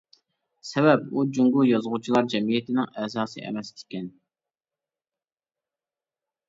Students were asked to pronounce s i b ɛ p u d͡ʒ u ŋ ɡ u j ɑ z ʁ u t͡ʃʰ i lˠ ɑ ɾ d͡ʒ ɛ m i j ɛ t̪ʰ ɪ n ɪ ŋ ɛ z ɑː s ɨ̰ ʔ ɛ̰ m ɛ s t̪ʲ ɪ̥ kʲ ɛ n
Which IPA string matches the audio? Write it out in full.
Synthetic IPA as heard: s ɛ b ɛ p u d͡ʒ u ŋ ɡ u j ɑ z ʁ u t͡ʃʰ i lˠ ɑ ɾ d͡ʒ ɛ m i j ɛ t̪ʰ ɪ n ɪ ŋ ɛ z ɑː s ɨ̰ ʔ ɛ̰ m ɛ s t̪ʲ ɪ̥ kʲ ɛ n

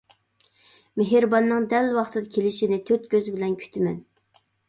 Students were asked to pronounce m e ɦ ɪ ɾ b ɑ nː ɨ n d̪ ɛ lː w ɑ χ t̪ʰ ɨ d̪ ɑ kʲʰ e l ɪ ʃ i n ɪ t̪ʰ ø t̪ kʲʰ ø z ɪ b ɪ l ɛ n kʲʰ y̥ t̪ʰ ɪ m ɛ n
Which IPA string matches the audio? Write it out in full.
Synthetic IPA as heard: m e ɦ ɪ ɾ b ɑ nː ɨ ŋ d̪ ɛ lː w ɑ χ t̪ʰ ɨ d̪ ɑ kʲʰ e l ɪ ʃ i n ɪ t̪ʰ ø t̪ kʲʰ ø z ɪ b ɪ l ɛ n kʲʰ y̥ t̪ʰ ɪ m ɛ n

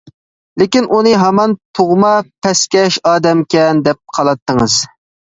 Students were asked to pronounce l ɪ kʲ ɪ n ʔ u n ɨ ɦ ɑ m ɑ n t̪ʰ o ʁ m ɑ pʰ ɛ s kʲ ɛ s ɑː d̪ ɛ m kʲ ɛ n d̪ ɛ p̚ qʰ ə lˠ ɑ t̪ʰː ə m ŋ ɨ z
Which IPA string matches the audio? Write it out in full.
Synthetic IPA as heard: l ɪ kʲ i n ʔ u n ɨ ɦ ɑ m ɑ n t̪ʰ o ʁ m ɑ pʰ ɛ s kʲ ɛ ʃ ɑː d̪ ɛ m kʲ ɛ n d̪ ɛ p̚ qʰ ɑ lˠ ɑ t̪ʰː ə ŋ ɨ z

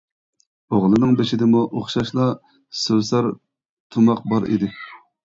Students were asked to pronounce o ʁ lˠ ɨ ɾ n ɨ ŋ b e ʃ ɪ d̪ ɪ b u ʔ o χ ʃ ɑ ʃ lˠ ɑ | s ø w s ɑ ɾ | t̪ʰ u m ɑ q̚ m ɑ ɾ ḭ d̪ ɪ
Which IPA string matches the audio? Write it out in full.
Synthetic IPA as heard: o ʁ lˠ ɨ n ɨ ŋ b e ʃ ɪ d̪ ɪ m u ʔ o χ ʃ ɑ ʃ lˠ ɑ | s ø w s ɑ ɾ | t̪ʰ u m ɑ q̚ b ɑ ɾ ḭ d̪ ɪ

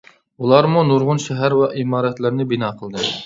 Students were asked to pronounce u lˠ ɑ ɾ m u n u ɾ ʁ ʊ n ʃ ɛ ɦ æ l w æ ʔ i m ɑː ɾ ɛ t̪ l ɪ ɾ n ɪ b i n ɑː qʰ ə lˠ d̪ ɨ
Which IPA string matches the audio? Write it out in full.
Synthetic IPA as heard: u lˠ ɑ ɾ m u n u ɾ ʁ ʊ n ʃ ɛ ɦ æ ɾ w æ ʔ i m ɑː ɾ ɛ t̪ l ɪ ɾ n ɪ b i n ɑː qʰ ə lˠ d̪ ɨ

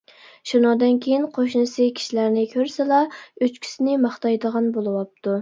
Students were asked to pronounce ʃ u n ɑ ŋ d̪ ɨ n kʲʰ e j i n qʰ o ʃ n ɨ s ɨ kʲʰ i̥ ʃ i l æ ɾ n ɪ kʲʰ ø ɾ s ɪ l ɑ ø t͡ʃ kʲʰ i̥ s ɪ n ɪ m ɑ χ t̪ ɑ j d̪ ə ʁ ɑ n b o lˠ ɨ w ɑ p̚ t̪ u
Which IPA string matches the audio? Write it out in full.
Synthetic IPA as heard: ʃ u n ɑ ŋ d̪ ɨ n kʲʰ e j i n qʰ o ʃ n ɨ s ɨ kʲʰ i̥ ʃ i l æ ɾ n ɪ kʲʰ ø ɾ s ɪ l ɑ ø t͡ʃ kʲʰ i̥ s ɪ n ɪ m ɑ χ t̪ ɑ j d̪ ə ʁ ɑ n b o lˠ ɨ w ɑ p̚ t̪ u

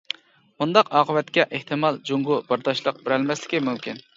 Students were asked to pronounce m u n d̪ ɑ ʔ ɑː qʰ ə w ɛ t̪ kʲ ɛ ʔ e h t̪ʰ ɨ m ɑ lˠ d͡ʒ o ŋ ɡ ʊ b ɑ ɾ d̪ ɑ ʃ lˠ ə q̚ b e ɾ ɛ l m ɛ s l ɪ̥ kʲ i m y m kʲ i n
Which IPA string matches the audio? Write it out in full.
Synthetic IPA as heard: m u n d̪ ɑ q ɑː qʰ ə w ɛ t̪ kʲ ɛ ʔ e h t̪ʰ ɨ m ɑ lˠ d͡ʒ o ŋ ɡ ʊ b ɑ ɾ d̪ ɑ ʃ lˠ ə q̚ b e ɾ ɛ l m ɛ s l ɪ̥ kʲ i m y m kʲ i n

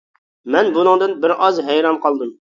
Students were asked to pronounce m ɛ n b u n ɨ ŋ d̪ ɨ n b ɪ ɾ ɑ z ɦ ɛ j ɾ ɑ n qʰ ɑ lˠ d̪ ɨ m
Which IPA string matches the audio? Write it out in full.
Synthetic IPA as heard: m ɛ n b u n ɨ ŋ d̪ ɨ n b ɪ ɾ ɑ z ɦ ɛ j ɾ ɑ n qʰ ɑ lˠ d̪ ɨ m

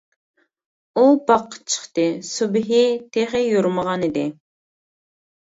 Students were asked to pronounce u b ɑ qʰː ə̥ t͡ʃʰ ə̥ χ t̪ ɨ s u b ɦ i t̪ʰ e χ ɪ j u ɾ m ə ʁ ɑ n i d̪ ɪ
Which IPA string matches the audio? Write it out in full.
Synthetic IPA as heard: u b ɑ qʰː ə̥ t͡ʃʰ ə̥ χ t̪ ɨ s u b ɦ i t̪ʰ e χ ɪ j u ɾ m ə ʁ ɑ n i d̪ ɪ

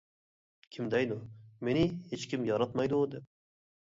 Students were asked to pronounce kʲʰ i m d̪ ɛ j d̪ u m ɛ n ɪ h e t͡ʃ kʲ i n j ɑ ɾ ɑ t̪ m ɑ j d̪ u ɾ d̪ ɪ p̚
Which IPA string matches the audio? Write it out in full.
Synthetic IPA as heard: kʲʰ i m d̪ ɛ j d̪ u m e n ɪ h e t͡ʃ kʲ i m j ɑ ɾ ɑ t̪ m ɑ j d̪ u d̪ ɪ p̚

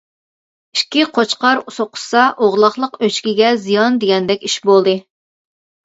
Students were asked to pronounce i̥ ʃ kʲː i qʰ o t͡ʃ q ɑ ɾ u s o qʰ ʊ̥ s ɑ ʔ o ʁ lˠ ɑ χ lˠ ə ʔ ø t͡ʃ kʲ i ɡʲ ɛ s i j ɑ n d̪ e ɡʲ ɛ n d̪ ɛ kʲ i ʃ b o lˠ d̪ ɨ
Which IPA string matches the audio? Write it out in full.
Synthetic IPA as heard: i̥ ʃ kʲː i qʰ o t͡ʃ q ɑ ɾ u s o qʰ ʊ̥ s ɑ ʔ o ʁ lˠ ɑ χ lˠ ə q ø t͡ʃ kʲ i ɡʲ ɛ z i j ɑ n d̪ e ɡʲ ɛ n d̪ ɛ kʲ i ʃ b o lˠ d̪ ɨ

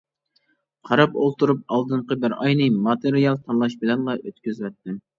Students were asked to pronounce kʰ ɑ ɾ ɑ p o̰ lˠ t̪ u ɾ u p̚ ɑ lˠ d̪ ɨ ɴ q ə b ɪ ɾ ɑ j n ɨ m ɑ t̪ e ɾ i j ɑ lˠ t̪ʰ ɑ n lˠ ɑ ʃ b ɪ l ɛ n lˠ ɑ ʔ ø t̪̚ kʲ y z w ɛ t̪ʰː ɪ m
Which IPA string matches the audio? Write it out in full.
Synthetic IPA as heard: qʰ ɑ ɾ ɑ p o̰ lˠ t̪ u ɾ u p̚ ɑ lˠ d̪ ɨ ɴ q ə b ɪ ɾ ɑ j n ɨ m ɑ t̪ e ɾ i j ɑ lˠ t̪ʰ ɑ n lˠ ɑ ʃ b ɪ l ɛ n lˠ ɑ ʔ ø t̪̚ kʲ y z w ɛ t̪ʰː ɪ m

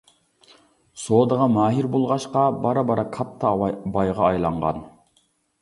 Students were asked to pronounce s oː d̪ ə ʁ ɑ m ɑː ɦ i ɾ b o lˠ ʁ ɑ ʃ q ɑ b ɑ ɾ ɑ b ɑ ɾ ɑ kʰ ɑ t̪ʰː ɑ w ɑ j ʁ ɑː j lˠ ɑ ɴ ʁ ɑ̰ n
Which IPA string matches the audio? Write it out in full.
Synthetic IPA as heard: s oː d̪ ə ʁ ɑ m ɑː ɦ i ɾ b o lˠ ʁ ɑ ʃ q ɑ b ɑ ɾ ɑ b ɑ ɾ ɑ kʰ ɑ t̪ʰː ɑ b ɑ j ʁ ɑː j lˠ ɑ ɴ ʁ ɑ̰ n

